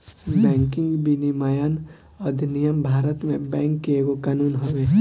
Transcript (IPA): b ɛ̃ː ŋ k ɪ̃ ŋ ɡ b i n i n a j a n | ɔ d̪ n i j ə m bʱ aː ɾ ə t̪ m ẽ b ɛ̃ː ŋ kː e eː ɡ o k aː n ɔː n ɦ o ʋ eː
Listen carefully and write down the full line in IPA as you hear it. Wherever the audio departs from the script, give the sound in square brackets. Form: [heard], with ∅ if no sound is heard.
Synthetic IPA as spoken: b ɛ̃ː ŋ k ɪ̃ ŋ ɡ b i n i [m] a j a n | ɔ d̪ n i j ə m bʱ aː ɾ ə t̪ m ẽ b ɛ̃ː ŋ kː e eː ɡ o k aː n [uː] n ɦ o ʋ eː